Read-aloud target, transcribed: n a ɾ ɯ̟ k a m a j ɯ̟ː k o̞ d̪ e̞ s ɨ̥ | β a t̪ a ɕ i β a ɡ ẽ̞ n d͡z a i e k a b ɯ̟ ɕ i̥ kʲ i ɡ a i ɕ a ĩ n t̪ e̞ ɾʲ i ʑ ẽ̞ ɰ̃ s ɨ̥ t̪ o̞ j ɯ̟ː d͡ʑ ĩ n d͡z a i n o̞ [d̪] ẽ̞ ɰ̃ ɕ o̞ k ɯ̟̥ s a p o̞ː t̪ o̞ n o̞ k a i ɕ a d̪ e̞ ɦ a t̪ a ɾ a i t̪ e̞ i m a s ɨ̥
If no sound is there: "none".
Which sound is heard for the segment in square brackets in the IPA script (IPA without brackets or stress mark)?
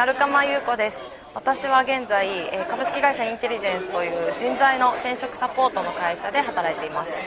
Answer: t̪